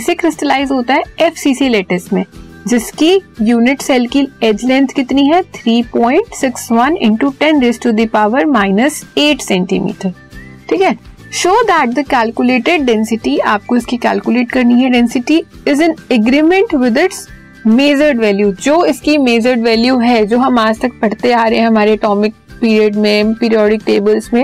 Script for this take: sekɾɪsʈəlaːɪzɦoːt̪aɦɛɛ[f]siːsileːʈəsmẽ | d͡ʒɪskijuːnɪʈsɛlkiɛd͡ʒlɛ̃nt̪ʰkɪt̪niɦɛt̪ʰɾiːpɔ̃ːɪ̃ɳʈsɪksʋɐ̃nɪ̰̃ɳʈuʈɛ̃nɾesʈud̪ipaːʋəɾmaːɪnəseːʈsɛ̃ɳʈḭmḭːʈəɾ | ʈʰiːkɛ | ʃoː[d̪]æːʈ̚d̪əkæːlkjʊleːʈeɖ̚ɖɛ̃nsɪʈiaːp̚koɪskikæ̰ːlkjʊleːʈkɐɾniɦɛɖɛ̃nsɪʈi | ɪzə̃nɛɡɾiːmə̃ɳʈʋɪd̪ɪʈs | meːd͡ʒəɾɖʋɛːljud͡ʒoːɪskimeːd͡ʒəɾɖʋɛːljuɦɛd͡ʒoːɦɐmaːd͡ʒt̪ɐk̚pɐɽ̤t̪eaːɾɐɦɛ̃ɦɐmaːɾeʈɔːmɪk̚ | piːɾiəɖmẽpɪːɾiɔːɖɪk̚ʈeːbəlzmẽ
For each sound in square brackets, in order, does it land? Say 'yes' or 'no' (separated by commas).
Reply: yes, yes